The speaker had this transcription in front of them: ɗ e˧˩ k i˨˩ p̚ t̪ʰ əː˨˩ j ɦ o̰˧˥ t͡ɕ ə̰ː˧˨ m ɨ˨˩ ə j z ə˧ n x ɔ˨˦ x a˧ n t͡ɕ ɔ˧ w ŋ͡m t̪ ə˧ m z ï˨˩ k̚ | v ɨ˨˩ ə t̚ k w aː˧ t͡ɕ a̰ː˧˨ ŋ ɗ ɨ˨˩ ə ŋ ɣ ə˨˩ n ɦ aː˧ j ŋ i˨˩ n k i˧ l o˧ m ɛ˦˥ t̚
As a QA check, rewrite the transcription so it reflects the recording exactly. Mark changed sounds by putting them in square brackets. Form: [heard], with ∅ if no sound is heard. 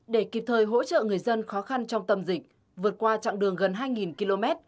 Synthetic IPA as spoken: ɗ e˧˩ k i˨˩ p̚ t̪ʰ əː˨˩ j ɦ o̰˧˥ t͡ɕ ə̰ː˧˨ [ŋ] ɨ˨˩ ə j z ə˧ n x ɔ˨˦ x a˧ n t͡ɕ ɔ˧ w ŋ͡m t̪ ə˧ m z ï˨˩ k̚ | v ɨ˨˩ ə t̚ k w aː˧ t͡ɕ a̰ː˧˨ ŋ ɗ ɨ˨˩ ə ŋ ɣ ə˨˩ n ɦ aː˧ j ŋ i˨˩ n k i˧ l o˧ m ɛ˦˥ t̚

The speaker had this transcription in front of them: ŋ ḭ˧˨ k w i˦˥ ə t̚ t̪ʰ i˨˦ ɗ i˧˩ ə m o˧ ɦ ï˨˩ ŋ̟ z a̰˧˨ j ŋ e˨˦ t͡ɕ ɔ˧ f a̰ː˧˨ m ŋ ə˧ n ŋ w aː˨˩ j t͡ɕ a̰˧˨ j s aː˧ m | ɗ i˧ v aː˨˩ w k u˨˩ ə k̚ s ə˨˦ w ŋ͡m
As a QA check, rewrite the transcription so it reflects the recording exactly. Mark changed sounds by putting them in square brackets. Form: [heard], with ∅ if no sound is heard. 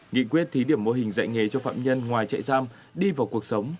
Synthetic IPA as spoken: ŋ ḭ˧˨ k w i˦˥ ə t̚ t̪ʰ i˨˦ ɗ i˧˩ ə m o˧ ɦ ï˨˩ ŋ̟ z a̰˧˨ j ŋ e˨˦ t͡ɕ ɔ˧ f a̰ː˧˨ m [ɲ] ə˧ n ŋ w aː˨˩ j t͡ɕ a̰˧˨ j s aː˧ m | ɗ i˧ v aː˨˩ w k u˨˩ ə k̚ s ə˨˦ w ŋ͡m

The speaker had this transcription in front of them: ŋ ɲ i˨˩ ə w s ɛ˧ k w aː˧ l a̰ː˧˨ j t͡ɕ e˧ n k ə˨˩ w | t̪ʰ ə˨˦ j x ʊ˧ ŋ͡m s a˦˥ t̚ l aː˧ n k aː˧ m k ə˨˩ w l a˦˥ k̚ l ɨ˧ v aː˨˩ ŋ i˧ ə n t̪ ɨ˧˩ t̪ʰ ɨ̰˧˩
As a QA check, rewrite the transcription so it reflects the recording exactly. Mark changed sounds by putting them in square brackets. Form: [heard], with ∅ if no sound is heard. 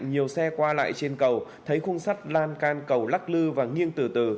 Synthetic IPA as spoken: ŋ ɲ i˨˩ ə w s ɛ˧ k w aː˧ l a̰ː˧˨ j t͡ɕ e˧ n k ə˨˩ w | t̪ʰ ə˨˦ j x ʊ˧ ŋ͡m s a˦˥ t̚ l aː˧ n k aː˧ [n] k ə˨˩ w l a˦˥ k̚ l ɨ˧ v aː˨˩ ŋ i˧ ə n t̪ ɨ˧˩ [t̪] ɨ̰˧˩

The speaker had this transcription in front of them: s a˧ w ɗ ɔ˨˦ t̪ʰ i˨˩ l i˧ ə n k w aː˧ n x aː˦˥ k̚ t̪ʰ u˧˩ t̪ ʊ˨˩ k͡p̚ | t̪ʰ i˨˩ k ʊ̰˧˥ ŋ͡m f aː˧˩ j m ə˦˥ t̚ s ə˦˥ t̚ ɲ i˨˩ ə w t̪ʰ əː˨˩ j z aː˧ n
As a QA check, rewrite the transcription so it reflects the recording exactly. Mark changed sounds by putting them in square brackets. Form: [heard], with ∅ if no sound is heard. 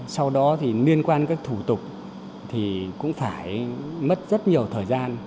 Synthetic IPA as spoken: s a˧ w ɗ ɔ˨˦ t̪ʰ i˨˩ l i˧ ə n k w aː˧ n [k] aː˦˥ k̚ t̪ʰ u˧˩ t̪ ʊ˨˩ k͡p̚ | t̪ʰ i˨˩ k ʊ̰˧˥ ŋ͡m f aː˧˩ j m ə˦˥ t̚ [z] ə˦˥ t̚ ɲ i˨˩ ə w t̪ʰ əː˨˩ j z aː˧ n

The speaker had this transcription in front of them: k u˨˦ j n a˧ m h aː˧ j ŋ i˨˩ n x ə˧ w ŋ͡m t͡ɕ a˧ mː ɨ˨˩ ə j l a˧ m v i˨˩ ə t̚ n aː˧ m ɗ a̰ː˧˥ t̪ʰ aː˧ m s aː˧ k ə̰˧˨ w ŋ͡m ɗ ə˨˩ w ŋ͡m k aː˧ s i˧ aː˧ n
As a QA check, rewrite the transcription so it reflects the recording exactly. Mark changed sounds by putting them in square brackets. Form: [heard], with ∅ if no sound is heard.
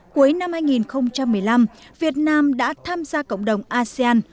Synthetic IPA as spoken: k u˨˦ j n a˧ m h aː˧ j ŋ i˨˩ n x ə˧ w ŋ͡m t͡ɕ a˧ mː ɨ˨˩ ə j l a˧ m v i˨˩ ə t̚ n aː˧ m ɗ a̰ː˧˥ t̪ʰ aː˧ m [z] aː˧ k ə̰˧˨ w ŋ͡m ɗ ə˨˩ w ŋ͡m [ʔ] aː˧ s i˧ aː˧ n

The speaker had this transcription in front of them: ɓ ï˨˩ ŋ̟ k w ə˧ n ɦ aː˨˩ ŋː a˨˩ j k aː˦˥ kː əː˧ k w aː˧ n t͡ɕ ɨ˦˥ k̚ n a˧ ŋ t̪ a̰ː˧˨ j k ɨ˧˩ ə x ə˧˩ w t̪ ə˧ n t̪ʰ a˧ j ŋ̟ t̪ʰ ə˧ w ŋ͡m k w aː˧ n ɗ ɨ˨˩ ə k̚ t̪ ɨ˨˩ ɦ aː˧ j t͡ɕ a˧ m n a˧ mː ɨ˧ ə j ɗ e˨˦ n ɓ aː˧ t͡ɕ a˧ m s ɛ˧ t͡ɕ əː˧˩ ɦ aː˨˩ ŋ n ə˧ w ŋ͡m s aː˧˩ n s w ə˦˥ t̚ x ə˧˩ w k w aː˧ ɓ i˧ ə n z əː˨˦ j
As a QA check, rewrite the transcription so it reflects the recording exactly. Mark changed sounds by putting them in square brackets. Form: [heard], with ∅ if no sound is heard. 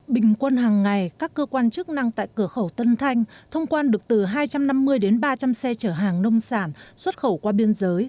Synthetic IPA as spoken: ɓ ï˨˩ ŋ̟ k w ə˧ n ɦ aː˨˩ ŋː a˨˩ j k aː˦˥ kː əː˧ k w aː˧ n t͡ɕ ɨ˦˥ k̚ n a˧ ŋ t̪ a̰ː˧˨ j k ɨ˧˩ ə x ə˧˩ w t̪ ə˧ n t̪ʰ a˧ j ŋ̟ t̪ʰ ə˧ w ŋ͡m k w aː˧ n ɗ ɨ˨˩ ə k̚ t̪ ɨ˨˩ ɦ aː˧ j t͡ɕ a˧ m n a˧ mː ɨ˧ ə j ɗ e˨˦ n ɓ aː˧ t͡ɕ a˧ m s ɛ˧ t͡ɕ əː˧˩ ɦ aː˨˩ ŋ n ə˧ w ŋ͡m s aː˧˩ n s w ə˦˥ t̚ x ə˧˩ w k w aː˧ ɓ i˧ ə n z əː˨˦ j

